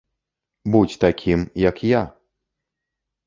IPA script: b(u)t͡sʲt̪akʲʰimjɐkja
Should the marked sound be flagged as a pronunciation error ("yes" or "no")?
no